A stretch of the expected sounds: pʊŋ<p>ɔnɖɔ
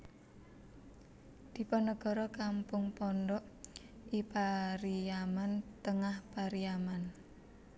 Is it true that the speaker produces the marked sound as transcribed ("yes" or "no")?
yes